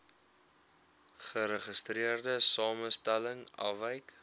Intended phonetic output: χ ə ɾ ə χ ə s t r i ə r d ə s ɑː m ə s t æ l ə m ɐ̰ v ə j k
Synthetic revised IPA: χ ə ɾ ə χ ə s t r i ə r d ə s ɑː m ə s t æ l ə ŋ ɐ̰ v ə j k

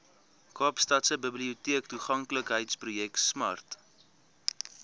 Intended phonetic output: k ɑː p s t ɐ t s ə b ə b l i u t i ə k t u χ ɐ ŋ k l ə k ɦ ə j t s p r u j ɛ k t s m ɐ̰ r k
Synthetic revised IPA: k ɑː p s t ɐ t s ə b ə b l i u t i ə k t u χ ɐ ŋ k l ə k ɦ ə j t s p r u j ɛ k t s m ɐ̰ r t

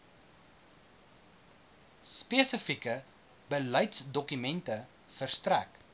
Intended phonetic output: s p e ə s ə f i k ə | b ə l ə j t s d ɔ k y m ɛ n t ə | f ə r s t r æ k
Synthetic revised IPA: s p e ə s ə f i k ə | b ə l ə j t s d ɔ k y m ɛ n t ə | f ə r s t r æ k

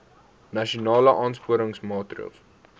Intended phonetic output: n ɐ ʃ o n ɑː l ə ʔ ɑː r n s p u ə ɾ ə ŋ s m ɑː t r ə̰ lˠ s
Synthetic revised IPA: n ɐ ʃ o n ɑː l ə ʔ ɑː n s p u ə ɾ ə ŋ s m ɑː t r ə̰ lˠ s

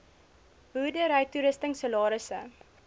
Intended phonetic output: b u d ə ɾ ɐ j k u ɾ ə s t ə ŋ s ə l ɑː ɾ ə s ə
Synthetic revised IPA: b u d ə ɾ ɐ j t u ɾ ə s t ə ŋ s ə l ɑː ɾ ə s ə

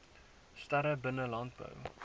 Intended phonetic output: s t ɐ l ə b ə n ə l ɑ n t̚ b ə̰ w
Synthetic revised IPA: s t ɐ ɾ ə b ə n ə l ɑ n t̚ b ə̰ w

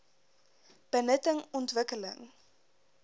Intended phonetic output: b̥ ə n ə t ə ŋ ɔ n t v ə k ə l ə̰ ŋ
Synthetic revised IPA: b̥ ə n ə t ə ŋ ɔ n t v ə k ə l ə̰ ŋ

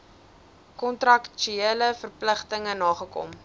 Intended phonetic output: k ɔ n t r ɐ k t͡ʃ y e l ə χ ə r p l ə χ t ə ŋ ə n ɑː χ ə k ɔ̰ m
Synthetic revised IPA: k ɔ n t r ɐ k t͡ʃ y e l ə f ə r p l ə χ t ə ŋ ə n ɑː χ ə k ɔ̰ m

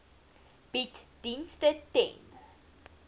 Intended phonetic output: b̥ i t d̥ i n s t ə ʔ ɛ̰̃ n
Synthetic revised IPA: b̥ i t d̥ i n s t ə t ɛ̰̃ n

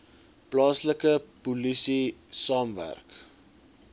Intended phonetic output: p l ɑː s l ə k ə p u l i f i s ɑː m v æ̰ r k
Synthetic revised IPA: p l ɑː s l ə k ə p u l i s i s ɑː m v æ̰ r k

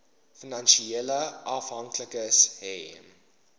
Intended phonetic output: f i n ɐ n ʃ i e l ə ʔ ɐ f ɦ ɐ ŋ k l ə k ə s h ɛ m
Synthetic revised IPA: f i n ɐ n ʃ i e l ə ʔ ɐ f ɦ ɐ ŋ k l ə k ə s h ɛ m

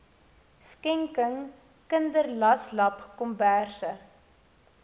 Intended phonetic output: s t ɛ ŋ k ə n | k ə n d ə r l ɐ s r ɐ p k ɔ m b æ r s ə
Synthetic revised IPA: s k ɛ ŋ k ə ŋ | k ə n d ə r l ɐ s l ɐ p k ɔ m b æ r s ə

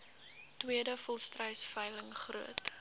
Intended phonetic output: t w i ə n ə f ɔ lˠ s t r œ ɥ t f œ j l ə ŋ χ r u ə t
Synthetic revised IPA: t w i ə d ə f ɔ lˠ s t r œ ɥ s f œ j l ə ŋ χ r u ə t

